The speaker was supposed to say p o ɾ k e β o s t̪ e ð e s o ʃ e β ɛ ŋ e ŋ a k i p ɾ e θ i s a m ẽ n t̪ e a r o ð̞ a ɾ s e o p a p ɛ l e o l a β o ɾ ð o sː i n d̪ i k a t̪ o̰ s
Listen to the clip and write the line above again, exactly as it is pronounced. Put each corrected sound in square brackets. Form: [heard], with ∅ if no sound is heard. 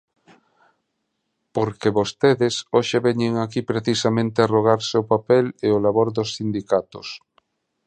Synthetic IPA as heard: p o ɾ k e β o s t̪ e ð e s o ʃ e β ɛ [ɲ] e ŋ a k i p ɾ e θ i s a m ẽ n t̪ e a r o [ɣ̞] a ɾ s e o p a p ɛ l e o l a β o ɾ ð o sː i n d̪ i k a t̪ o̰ s